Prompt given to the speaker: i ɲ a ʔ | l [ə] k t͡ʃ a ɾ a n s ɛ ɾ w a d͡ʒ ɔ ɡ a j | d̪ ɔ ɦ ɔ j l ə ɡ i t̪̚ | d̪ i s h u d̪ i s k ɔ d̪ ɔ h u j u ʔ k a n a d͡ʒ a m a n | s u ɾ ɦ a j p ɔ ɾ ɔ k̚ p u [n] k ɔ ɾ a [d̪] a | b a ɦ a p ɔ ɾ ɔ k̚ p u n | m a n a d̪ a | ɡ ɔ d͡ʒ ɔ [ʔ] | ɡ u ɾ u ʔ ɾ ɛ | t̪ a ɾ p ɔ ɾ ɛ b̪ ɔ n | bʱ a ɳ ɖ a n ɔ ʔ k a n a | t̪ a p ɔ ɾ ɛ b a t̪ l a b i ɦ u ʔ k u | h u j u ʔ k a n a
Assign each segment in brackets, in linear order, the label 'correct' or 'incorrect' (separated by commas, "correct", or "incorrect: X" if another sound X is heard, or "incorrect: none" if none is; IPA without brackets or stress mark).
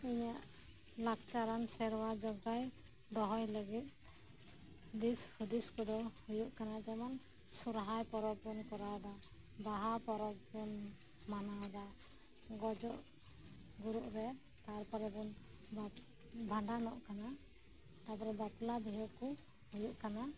incorrect: a, correct, correct, correct